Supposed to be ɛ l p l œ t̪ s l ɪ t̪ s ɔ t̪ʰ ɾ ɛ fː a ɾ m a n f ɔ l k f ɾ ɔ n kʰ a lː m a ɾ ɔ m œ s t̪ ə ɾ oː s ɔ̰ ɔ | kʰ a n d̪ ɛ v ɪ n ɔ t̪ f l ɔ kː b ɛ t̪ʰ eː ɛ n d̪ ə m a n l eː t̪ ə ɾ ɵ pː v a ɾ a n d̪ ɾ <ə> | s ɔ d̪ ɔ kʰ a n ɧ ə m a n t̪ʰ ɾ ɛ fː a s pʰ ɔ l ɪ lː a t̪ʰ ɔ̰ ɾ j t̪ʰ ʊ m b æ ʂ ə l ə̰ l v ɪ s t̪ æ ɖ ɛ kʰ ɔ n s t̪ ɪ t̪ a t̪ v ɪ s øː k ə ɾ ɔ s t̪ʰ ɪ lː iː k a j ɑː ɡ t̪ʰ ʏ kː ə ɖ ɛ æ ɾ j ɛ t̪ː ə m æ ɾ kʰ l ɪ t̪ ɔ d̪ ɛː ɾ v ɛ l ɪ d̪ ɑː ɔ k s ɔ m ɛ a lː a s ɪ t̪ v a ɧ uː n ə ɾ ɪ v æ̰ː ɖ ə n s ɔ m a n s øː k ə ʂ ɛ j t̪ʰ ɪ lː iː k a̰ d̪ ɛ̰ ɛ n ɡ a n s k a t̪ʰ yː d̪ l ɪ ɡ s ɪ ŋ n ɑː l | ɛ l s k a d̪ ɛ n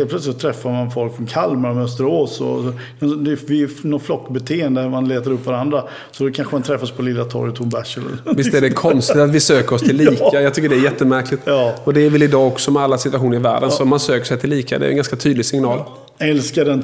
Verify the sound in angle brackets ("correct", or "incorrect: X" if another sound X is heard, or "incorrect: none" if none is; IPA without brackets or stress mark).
incorrect: a